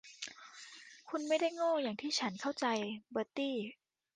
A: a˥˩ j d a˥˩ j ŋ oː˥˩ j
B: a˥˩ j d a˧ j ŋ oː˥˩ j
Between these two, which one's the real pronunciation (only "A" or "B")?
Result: A